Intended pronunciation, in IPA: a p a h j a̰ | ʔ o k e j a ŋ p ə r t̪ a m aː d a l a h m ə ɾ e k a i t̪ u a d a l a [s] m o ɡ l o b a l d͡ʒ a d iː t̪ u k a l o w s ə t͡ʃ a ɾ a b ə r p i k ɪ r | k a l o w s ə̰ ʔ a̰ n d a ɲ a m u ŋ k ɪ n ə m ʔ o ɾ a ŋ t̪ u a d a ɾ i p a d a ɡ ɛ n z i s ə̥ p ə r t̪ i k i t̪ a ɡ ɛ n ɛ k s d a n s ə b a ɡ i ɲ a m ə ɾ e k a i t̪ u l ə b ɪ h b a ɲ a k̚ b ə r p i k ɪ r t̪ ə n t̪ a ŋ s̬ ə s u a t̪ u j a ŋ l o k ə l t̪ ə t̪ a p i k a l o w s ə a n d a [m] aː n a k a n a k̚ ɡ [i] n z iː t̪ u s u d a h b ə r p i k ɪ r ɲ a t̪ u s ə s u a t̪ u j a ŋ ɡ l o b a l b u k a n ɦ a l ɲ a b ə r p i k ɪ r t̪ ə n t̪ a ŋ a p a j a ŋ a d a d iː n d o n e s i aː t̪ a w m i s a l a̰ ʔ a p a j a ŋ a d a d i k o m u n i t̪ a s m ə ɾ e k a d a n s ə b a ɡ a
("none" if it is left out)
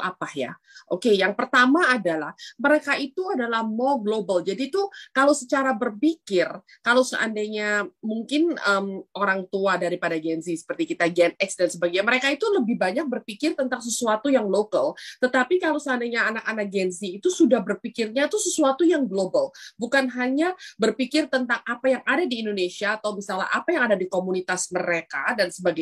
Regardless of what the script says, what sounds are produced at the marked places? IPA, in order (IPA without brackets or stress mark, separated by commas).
h, ɲ, ɛ